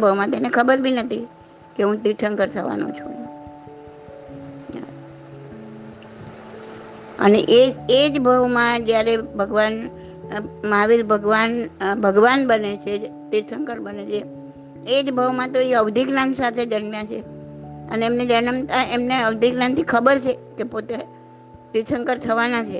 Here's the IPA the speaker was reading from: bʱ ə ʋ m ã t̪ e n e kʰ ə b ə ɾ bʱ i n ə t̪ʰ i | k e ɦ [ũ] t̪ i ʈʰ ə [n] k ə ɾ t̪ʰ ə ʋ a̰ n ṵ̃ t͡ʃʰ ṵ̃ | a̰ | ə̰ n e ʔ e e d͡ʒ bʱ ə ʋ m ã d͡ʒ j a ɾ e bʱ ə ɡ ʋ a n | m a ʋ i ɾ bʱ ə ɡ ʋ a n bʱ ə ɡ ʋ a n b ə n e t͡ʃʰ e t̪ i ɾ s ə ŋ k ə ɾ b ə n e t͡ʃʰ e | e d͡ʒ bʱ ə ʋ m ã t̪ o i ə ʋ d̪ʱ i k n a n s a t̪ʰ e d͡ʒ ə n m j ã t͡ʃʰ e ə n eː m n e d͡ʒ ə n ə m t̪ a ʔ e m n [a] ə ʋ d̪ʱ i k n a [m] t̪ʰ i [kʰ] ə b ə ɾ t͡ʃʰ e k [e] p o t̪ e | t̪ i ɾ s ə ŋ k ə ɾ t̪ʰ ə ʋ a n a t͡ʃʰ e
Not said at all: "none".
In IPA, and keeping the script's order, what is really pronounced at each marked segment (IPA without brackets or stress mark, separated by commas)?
ũ, ŋ, e, n, kʰ, e